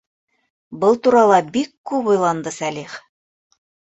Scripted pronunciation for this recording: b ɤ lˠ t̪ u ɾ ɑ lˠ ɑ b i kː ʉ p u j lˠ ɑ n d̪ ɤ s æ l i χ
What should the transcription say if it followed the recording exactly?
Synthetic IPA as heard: b ɤ lˠ t̪ u ɾ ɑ lˠ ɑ b i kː ʉ p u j lˠ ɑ n d̪ ɤ s æ l i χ